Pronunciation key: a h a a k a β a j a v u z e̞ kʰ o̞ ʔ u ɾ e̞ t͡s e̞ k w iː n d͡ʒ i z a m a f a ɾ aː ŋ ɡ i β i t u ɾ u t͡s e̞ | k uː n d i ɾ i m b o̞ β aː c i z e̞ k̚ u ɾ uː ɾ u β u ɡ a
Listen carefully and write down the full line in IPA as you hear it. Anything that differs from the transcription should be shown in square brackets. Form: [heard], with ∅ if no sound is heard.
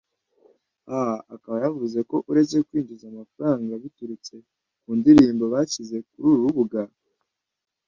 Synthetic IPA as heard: a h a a k a β a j a v u z e̞ [k] o̞ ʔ u ɾ e̞ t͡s e̞ k w iː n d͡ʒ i z a m a f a ɾ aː ŋ ɡ [a] β i t u ɾ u t͡s e̞ | k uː n d i ɾ [iː] m b o̞ β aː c i z e̞ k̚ u ɾ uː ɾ u β u ɡ a